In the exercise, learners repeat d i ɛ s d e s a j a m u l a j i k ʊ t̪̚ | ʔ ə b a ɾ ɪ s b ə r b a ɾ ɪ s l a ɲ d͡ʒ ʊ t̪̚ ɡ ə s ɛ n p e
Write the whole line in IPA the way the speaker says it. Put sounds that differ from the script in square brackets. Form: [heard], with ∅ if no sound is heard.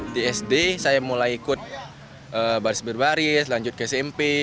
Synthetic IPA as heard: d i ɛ s d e s a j a m u l a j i k ʊ t̪̚ | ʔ ə b a ɾ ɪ s b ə r b a ɾ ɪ s l a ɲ d͡ʒ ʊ t̪̚ [k] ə s ɛ [m] p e